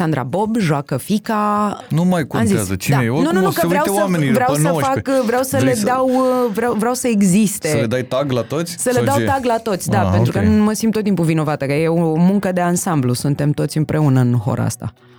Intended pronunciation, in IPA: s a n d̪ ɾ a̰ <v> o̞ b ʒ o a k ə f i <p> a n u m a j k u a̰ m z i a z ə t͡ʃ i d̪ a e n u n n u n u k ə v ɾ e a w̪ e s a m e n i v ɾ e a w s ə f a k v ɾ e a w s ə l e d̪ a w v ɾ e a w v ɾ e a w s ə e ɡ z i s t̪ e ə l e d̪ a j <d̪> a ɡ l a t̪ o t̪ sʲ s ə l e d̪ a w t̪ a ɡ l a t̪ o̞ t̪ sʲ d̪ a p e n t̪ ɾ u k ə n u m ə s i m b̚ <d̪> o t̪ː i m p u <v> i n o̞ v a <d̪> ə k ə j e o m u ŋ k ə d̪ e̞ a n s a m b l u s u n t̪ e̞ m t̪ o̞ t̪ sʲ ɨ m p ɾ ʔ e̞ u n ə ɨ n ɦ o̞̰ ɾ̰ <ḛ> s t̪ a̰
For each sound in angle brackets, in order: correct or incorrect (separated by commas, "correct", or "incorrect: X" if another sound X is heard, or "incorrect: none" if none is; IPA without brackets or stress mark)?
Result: incorrect: b, incorrect: k, incorrect: t̪, incorrect: t̪, correct, incorrect: t̪, incorrect: a̰